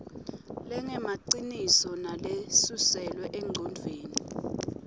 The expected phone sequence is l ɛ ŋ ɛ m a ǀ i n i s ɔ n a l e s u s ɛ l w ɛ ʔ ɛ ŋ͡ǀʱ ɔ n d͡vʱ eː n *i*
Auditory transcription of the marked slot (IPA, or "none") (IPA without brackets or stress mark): i